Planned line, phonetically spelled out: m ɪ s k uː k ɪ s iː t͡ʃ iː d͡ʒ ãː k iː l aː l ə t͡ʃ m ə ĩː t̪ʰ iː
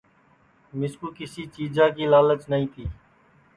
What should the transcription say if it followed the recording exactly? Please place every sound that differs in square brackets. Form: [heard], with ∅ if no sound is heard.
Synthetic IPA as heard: m ɪ s k uː k ɪ s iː t͡ʃ iː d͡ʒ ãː k iː l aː l ə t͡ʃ [n] ə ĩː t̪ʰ iː

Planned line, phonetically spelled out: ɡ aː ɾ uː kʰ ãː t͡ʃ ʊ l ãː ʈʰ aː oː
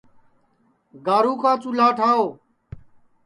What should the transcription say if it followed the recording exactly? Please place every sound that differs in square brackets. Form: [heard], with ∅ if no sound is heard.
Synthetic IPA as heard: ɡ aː ɾ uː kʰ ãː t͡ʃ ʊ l [aː] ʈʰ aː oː

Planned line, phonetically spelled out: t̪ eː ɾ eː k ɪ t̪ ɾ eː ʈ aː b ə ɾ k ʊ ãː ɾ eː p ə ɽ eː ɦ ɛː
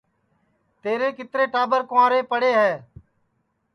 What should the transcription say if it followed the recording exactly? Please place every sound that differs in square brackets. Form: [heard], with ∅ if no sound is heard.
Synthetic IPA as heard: t̪ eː ɾ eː k ɪ t̪ ɾ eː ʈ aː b ə ɾ k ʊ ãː ɾ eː p ə ɽ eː ɦ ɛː

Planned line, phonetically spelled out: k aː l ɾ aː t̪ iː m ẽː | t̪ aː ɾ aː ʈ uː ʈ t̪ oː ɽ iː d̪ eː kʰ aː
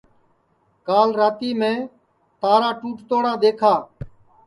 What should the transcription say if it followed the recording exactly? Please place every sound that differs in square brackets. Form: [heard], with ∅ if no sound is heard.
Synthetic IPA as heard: k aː l ɾ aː t̪ iː m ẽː | t̪ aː ɾ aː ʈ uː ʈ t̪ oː ɽ [aː] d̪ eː kʰ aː

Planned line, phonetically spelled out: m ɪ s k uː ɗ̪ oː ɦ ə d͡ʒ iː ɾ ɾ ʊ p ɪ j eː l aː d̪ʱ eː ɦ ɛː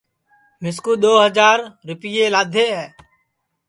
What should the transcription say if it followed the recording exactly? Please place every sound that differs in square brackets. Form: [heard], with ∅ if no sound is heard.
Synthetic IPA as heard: m ɪ s k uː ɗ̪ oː ɦ ə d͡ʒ [aː] ɾ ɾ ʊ p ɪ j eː l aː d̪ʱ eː ɦ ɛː

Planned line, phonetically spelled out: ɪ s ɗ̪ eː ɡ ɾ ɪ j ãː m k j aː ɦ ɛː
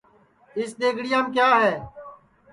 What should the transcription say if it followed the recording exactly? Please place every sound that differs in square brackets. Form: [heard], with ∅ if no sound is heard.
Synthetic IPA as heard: ɪ s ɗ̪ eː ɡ [ɽ] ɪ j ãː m k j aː ɦ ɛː

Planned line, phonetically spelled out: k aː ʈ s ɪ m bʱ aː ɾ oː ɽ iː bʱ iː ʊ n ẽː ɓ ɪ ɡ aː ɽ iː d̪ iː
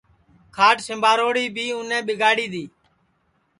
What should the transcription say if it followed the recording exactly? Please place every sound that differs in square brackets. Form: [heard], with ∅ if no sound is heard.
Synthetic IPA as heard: [kʰ] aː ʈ s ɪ m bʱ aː ɾ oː ɽ iː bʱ iː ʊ n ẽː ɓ ɪ ɡ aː ɽ iː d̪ iː

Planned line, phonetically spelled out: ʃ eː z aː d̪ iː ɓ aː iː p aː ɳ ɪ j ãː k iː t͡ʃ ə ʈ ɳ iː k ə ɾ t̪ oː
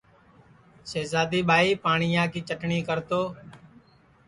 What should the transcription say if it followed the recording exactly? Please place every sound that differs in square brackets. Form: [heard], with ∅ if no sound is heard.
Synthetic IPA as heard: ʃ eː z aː d̪ iː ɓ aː iː p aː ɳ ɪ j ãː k iː t͡ʃ ə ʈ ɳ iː k ə ɾ t̪ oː

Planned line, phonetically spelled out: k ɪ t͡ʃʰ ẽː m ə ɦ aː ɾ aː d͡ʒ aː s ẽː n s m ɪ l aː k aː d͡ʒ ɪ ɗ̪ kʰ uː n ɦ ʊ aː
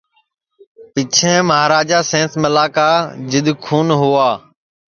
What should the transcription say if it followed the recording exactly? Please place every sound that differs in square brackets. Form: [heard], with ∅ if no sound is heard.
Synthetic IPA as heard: [p] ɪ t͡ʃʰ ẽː m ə ɦ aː ɾ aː d͡ʒ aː s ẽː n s m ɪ l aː k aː d͡ʒ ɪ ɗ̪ kʰ uː n ɦ ʊ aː

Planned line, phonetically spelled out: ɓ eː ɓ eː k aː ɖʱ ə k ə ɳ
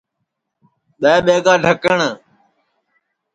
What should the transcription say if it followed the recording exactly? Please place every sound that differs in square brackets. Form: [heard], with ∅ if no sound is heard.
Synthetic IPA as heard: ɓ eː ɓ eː [ɡ] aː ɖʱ ə k ə ɳ

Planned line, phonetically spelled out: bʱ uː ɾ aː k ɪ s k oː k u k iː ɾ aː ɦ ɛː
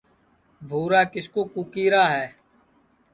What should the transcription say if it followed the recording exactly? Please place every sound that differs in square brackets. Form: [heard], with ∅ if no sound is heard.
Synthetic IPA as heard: bʱ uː ɾ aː k ɪ s k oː k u k iː ɾ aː ɦ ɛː

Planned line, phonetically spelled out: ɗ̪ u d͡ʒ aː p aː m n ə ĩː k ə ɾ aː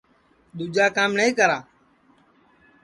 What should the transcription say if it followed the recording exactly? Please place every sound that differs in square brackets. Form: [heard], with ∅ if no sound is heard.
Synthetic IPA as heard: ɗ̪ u d͡ʒ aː [k] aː m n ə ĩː k ə ɾ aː

